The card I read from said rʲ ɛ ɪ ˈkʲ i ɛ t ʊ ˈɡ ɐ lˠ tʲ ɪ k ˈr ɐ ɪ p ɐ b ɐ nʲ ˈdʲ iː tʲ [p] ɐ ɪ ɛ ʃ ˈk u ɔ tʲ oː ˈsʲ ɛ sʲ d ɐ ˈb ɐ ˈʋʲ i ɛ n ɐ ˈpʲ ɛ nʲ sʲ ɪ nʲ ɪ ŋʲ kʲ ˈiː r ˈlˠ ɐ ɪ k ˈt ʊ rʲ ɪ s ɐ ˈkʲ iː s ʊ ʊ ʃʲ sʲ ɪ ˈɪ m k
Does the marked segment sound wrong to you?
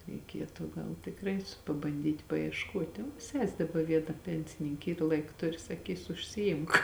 no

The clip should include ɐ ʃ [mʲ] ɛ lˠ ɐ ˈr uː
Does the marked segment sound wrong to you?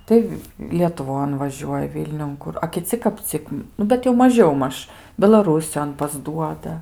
yes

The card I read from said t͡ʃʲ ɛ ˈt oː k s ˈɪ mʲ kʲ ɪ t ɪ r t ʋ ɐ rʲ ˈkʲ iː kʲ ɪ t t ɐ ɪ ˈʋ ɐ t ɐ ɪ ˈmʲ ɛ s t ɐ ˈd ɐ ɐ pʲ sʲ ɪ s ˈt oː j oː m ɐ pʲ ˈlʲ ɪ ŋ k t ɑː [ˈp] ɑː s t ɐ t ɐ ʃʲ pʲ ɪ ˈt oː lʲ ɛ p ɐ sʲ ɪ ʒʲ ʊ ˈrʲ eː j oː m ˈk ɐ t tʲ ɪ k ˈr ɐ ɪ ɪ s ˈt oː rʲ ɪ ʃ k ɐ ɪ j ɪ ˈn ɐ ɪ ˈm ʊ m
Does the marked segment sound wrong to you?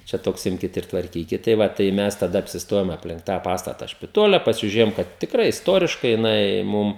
no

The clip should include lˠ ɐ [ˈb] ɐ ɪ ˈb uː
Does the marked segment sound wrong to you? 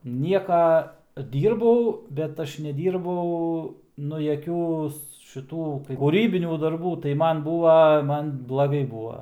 yes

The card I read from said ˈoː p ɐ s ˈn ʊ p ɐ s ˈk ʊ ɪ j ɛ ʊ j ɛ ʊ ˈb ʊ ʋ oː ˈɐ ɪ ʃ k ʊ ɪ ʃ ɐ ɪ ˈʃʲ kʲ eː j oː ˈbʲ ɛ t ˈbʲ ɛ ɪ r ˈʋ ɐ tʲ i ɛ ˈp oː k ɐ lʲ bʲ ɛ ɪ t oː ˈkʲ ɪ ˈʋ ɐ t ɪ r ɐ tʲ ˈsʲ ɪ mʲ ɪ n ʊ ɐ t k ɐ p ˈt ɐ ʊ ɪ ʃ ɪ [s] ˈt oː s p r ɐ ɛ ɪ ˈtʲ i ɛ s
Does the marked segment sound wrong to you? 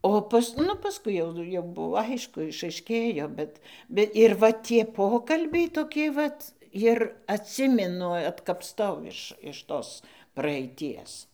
yes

